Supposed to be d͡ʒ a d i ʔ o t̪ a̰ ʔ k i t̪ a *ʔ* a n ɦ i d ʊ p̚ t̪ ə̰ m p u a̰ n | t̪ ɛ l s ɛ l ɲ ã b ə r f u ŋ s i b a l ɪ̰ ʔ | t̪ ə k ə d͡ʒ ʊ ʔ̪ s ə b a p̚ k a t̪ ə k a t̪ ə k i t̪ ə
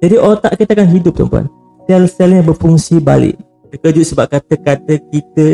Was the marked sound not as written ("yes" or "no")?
yes